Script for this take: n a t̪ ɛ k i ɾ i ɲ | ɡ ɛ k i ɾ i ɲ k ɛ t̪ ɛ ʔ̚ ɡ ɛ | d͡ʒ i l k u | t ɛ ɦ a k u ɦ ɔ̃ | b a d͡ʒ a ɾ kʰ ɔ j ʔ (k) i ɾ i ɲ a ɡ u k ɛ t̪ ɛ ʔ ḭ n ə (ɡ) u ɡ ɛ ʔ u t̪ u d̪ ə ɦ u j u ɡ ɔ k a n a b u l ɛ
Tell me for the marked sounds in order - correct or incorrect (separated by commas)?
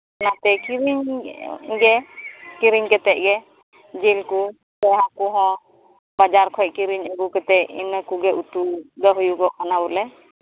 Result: correct, incorrect